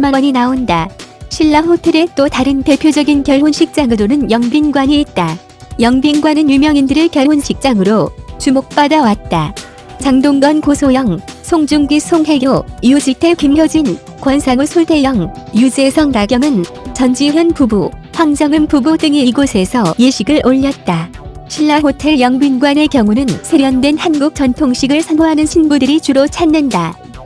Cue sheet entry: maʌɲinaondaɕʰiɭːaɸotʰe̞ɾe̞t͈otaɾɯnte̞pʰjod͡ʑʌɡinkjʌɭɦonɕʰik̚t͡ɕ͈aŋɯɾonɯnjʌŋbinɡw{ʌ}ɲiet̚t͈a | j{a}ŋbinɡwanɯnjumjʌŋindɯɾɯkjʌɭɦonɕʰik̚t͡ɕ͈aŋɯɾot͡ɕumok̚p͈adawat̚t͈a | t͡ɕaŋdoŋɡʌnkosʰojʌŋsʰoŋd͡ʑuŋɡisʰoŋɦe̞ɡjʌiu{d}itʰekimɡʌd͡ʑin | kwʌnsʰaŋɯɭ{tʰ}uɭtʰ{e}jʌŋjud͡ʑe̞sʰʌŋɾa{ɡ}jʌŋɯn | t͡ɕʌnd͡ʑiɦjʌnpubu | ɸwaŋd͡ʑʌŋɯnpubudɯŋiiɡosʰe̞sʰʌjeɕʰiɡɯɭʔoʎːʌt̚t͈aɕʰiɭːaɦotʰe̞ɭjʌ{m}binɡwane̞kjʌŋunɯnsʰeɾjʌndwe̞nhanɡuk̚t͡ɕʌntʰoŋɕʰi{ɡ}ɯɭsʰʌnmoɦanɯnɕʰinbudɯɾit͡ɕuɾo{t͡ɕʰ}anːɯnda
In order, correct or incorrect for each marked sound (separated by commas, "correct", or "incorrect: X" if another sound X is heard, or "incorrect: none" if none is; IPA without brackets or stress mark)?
incorrect: a, incorrect: ʌ, incorrect: d͡ʑ, incorrect: sʰ, correct, correct, incorrect: ŋ, correct, correct